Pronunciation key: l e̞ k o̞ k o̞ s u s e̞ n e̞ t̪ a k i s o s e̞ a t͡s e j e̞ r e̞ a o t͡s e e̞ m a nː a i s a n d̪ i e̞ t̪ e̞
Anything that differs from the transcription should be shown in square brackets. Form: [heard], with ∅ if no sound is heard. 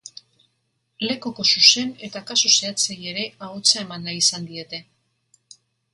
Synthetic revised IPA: l e̞ k o̞ k o̞ s u s e̞ n e̞ t̪ a k [a] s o s e̞ a t͡s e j e̞ [ɾ] e̞ a o t͡s [a] e̞ m a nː a i s a n d̪ i e̞ t̪ e̞